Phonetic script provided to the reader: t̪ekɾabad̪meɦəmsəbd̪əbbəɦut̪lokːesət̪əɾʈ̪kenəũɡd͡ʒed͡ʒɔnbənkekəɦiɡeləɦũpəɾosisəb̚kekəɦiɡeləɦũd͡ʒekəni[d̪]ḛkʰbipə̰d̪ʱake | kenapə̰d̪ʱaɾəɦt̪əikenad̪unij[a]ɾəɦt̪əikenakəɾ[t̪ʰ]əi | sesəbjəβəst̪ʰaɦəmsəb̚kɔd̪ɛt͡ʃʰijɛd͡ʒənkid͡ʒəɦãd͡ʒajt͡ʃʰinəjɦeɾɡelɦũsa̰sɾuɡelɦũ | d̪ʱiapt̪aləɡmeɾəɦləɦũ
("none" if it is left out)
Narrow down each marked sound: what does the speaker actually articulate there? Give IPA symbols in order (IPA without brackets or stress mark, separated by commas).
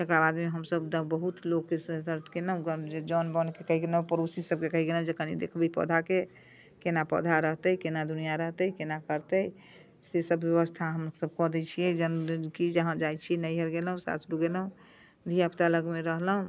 d̪, a, t̪